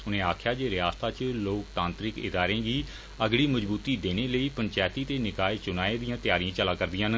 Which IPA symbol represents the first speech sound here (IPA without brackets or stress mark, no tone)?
ʊ